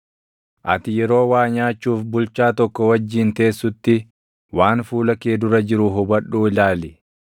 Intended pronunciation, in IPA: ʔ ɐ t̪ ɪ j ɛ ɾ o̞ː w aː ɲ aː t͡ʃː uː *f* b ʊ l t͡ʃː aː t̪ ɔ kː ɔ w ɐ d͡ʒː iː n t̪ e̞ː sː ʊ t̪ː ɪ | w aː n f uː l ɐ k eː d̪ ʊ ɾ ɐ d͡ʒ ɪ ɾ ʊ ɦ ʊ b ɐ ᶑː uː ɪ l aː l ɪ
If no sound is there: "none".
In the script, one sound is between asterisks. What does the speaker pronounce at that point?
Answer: f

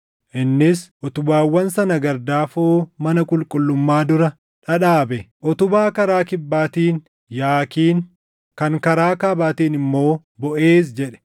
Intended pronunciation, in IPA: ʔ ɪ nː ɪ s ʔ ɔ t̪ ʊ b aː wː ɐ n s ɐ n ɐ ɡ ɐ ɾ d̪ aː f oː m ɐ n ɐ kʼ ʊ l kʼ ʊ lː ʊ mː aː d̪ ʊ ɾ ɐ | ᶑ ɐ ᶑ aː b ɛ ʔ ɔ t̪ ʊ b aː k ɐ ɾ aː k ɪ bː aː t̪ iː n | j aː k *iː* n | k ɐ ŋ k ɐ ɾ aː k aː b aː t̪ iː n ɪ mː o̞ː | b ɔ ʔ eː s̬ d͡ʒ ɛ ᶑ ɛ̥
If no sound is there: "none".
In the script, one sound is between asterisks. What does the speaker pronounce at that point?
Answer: iː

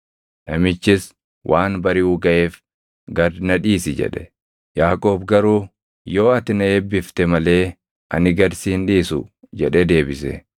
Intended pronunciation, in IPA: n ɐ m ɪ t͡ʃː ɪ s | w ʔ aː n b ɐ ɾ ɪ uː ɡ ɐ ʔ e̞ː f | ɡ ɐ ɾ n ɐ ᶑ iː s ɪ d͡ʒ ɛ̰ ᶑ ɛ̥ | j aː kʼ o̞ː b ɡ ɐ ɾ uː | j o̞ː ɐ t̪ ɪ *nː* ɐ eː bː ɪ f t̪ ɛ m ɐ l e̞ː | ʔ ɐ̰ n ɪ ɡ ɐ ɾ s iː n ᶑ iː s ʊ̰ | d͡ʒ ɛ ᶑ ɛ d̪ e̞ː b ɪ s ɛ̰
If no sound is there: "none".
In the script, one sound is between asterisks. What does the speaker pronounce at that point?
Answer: n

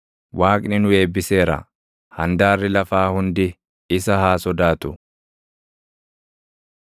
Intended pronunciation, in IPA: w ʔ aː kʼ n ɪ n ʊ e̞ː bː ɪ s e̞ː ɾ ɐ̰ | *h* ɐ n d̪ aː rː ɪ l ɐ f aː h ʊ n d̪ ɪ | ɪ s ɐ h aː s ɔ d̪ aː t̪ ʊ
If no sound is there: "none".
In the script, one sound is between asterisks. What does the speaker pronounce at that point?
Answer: h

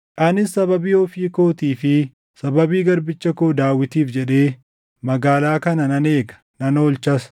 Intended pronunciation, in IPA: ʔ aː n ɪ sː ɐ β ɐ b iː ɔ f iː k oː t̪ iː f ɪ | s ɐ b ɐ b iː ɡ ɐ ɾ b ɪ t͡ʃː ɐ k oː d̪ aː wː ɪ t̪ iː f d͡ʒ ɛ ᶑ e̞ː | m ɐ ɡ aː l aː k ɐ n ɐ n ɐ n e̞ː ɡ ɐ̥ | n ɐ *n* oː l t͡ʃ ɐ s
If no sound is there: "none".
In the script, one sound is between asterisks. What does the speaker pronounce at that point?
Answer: n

